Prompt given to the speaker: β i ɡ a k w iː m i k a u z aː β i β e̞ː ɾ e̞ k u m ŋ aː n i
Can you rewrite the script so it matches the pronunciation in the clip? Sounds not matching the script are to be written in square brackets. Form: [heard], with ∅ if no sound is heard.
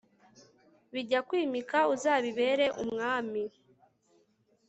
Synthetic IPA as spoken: β i [ɟ] a k w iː m i k a u z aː β i β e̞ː ɾ e̞ [ʔ] u m ŋ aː [m] i